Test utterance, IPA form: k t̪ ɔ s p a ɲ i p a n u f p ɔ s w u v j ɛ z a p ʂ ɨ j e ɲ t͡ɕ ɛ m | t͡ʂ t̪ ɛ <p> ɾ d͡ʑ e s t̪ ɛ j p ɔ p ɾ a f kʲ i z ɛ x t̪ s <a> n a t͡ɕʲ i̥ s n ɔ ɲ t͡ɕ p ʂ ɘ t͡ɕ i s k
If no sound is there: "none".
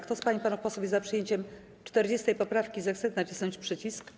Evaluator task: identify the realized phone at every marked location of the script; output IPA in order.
none, ɛ

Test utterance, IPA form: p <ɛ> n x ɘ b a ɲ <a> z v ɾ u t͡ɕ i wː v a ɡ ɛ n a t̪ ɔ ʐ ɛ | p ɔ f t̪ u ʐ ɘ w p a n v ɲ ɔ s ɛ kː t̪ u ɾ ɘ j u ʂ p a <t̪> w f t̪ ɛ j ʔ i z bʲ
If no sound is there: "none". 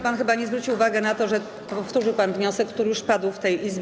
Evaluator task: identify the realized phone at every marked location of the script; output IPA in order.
a, ɛ, d̪

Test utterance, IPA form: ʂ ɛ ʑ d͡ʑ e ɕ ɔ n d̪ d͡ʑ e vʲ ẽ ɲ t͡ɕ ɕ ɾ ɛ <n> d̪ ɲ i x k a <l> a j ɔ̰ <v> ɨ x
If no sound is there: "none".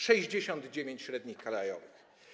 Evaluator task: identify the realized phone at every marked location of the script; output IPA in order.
none, l, v

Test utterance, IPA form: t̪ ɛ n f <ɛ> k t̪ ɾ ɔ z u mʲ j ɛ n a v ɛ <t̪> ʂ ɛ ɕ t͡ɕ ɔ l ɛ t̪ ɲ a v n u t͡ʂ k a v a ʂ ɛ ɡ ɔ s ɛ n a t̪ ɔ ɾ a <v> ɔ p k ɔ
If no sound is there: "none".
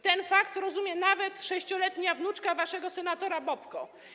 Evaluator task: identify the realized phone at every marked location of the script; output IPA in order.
a, t̪, b

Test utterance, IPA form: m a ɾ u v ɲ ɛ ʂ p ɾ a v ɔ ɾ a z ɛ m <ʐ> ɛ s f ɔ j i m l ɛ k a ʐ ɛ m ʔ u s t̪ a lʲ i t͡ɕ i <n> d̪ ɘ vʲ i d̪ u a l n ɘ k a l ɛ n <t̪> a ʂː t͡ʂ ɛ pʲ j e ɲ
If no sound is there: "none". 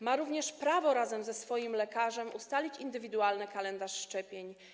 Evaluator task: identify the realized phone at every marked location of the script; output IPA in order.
z, n, d̪

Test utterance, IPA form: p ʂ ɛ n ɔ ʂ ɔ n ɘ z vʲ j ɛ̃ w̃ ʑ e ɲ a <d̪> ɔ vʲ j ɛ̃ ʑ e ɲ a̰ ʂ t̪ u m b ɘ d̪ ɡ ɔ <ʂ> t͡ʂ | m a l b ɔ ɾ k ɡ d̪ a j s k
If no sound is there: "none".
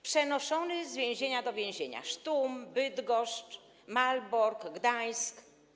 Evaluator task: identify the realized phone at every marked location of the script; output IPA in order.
d̪, ʂ

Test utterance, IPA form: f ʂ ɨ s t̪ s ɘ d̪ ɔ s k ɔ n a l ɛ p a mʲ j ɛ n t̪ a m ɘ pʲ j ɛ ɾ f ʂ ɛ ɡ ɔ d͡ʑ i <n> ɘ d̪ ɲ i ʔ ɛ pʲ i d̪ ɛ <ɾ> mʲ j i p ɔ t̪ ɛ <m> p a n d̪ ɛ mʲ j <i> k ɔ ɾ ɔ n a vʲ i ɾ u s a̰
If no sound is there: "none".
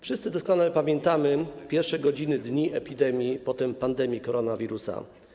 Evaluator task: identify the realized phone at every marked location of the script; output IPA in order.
n, none, m, i

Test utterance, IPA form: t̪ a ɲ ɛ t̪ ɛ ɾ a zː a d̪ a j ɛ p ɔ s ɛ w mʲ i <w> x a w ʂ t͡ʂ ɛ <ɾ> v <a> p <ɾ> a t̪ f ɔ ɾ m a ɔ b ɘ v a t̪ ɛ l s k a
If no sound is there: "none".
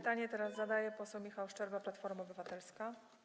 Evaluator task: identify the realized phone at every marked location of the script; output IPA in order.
none, ɾ, a, l

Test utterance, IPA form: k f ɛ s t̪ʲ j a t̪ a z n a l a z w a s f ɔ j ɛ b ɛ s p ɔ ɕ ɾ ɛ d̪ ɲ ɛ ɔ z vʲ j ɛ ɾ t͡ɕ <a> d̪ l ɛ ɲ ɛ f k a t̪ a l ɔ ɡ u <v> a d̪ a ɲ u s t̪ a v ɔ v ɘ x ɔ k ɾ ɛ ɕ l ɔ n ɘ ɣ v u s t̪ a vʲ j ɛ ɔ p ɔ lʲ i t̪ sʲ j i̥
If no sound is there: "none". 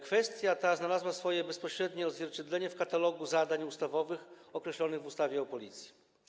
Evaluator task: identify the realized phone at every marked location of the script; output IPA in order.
ɛ, z

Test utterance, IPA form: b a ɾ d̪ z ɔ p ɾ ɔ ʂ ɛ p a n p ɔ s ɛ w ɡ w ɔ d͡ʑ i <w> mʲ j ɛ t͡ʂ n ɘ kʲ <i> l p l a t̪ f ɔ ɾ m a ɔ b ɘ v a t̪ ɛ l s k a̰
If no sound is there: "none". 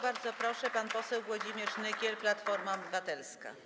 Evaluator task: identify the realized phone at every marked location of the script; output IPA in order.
none, ɛ

